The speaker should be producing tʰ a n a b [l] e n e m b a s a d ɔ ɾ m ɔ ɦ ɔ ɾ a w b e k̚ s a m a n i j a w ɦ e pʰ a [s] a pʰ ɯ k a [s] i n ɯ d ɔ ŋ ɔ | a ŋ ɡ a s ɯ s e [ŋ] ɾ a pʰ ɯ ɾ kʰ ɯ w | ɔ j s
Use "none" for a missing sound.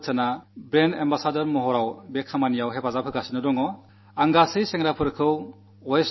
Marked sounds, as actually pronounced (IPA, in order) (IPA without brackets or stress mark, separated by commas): ɾ, z, s, ŋ